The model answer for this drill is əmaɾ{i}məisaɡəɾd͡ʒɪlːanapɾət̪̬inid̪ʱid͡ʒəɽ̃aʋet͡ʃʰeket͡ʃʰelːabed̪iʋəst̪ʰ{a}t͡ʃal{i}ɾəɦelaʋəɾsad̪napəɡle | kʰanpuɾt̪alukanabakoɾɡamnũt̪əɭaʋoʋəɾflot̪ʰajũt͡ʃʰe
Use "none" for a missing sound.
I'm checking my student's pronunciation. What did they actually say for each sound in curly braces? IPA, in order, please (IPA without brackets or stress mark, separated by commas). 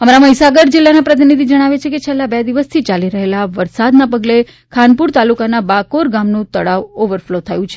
a, i, i